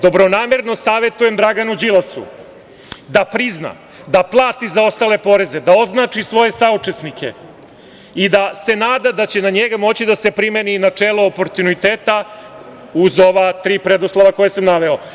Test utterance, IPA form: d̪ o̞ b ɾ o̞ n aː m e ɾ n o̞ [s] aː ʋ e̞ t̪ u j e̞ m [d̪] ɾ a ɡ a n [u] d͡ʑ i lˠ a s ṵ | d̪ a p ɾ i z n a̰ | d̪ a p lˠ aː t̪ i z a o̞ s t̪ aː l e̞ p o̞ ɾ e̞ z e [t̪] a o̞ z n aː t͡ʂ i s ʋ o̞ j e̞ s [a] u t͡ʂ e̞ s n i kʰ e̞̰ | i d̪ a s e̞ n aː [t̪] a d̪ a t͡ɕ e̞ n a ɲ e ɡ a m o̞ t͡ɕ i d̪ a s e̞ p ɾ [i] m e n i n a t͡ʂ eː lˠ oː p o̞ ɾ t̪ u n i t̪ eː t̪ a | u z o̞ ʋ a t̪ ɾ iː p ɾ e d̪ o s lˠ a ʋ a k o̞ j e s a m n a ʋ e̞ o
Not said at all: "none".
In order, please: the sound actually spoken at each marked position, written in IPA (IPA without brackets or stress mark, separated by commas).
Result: s, d̪, u, d̪, a, d̪, i